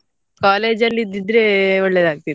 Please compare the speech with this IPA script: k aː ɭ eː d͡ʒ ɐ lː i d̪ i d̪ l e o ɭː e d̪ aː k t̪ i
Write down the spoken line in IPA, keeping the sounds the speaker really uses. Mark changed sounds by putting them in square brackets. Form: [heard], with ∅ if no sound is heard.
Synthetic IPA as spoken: k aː [l] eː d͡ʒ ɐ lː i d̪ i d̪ [ɾ] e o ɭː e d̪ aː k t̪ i